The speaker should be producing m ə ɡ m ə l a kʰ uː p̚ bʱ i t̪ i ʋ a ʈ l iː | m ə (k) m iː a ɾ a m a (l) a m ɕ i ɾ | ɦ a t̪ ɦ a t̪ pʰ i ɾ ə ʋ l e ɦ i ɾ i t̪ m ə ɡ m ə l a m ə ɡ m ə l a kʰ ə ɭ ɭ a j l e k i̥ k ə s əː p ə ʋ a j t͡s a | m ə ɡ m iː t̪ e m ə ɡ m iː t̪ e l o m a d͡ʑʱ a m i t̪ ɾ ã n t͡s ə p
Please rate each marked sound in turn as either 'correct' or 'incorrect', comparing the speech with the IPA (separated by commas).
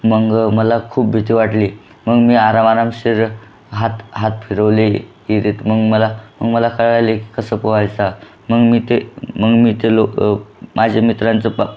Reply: incorrect, incorrect